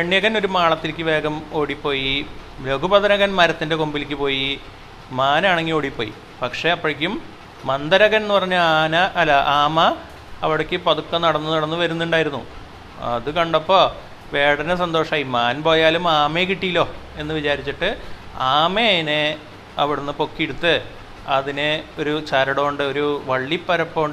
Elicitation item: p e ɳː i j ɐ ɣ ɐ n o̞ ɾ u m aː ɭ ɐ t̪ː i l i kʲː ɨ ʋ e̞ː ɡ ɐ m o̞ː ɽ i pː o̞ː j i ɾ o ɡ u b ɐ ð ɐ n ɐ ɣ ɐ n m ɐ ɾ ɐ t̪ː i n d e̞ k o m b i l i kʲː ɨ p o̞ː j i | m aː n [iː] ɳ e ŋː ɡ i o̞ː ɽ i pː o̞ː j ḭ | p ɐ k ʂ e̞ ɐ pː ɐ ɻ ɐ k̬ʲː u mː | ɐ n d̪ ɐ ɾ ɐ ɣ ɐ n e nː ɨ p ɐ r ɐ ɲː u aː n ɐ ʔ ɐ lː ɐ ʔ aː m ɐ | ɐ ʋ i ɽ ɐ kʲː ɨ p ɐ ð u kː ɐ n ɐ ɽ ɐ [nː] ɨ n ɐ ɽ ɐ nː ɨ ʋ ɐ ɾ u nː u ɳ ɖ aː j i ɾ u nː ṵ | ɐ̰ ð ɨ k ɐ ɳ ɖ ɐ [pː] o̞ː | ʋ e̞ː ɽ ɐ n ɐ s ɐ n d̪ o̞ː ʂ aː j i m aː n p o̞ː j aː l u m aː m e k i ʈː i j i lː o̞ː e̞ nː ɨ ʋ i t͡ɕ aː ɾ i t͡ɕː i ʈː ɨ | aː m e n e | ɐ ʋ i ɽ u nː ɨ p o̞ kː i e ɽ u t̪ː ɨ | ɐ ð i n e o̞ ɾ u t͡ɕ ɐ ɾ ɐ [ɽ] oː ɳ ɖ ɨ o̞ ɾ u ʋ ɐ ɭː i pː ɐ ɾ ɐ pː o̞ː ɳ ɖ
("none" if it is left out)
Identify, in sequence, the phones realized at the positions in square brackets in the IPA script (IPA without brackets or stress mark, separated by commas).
aː, nː, pː, ɽ